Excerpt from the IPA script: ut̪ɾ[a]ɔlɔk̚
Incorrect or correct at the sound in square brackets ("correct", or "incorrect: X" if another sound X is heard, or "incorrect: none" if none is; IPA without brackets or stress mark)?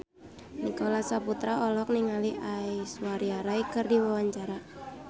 correct